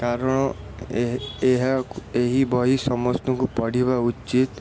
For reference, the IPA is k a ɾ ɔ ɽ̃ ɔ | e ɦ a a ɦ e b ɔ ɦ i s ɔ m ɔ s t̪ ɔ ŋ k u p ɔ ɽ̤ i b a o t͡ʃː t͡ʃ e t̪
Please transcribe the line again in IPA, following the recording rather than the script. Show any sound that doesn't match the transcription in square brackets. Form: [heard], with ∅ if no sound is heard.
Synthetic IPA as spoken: k a ɾ ɔ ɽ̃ ɔ | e ɦ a [e] ɦ [i] b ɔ ɦ i s ɔ m ɔ s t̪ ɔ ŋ k u p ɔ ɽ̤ i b a [u] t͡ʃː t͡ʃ [i] t̪